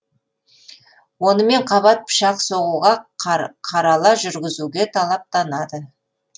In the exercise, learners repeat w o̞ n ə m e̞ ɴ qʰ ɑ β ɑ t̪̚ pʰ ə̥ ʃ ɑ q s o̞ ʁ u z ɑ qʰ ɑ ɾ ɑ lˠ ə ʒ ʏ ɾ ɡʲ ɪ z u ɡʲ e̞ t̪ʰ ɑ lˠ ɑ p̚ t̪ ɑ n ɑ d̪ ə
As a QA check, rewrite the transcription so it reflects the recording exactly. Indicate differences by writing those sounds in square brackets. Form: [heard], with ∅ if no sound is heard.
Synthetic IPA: w o̞ n ə m e̞ ɴ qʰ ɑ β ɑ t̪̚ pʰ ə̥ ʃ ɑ q s o̞ ʁ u [ʁ] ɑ qʰ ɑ ɾ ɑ lˠ [ɑ] ʒ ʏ ɾ ɡʲ ɪ z u ɡʲ e̞ t̪ʰ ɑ lˠ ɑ p̚ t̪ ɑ n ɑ d̪ ə